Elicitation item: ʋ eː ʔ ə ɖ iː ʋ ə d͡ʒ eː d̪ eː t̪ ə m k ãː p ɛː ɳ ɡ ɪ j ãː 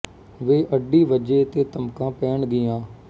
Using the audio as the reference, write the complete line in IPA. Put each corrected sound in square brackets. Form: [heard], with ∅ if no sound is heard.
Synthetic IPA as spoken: ʋ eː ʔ ə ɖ iː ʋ ə d͡ʒ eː [t̪] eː t̪ ə m k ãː p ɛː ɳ ɡ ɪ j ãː